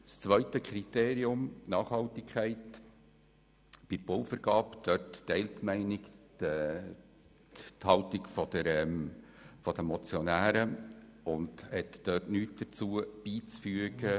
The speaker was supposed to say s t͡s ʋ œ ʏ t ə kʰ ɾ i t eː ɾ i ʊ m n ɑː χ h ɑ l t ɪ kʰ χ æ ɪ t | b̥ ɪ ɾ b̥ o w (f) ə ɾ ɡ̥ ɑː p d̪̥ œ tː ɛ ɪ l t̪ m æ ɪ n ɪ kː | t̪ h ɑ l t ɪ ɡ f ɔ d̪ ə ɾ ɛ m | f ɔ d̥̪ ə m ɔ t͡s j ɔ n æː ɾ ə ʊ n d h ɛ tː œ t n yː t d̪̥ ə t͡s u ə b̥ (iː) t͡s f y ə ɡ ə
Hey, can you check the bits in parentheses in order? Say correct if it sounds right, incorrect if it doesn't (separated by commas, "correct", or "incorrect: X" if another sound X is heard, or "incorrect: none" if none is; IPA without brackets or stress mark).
correct, correct